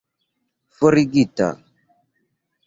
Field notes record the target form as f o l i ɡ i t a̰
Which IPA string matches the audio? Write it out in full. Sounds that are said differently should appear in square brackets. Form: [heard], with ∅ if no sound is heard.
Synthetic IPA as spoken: f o [ɾ] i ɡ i t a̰